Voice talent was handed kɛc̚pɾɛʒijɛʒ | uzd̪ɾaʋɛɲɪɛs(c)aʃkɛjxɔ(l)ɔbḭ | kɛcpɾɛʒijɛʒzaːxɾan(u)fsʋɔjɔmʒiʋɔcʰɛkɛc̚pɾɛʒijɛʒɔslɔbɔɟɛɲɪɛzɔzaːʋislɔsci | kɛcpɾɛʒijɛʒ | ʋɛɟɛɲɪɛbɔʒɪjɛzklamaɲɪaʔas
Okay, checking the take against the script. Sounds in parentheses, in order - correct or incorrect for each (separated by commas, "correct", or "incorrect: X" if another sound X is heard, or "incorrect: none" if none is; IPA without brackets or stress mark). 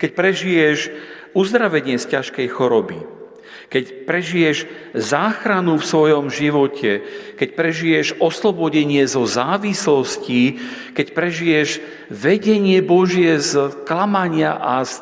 correct, incorrect: ɾ, correct